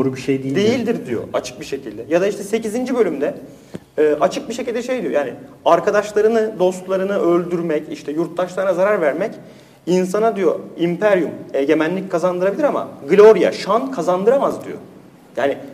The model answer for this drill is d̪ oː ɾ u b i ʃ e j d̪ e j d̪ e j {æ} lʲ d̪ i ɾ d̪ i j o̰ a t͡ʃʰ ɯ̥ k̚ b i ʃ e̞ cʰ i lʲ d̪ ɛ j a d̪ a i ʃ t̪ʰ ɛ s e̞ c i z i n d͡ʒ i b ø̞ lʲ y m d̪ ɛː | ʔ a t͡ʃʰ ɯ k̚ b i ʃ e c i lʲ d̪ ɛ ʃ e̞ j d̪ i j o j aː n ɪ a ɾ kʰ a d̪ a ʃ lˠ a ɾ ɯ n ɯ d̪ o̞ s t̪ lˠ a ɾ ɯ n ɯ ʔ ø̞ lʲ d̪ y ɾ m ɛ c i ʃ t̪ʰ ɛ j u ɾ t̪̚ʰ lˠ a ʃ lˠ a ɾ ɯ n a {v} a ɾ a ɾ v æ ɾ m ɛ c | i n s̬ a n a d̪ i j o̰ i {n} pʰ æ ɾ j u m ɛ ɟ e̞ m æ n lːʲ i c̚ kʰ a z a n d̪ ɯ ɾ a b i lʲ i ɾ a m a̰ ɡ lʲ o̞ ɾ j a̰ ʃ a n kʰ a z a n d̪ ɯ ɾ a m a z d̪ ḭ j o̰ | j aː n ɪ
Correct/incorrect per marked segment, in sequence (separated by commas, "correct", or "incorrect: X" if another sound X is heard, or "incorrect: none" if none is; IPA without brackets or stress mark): incorrect: i, incorrect: z, incorrect: m